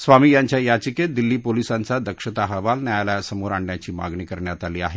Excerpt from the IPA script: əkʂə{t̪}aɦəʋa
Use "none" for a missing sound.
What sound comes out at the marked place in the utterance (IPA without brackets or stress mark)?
t̪